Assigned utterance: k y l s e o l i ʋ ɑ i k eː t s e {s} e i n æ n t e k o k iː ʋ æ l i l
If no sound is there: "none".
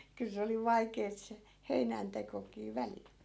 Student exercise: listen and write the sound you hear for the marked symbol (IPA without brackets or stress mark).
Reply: h